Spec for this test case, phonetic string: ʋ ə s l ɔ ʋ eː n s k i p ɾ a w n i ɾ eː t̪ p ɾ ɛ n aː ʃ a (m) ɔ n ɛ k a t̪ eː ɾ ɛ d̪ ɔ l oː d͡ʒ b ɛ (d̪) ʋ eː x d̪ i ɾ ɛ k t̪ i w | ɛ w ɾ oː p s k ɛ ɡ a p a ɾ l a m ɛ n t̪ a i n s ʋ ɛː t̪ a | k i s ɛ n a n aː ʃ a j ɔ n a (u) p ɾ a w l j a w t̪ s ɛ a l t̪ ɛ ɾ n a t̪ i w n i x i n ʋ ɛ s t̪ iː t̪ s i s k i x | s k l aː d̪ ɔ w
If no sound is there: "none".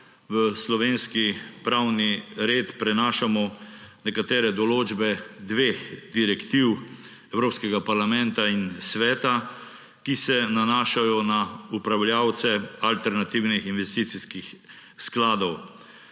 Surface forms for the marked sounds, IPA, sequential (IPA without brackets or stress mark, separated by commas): m, d̪, u